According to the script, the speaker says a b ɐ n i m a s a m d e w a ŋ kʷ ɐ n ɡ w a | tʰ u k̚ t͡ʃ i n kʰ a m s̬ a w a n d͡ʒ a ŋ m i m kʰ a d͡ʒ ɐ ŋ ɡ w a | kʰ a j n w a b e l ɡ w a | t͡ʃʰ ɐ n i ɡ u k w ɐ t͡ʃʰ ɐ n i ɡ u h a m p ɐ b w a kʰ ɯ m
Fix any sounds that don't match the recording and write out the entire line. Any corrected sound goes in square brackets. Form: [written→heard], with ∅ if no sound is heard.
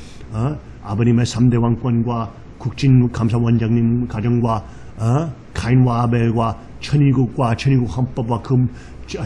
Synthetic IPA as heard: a b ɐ n i m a s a m d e w a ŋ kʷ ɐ n ɡ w a | [tʰ→kʰ] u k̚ t͡ʃ i n kʰ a m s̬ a w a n d͡ʒ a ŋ [m→n] i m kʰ a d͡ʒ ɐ ŋ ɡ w a | kʰ a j n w a b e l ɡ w a | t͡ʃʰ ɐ n i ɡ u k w [ɐ→a] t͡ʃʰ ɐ n i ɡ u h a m p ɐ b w a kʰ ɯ m